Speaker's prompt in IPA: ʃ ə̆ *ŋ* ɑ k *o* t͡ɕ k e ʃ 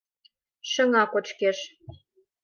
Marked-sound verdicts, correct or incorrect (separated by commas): correct, correct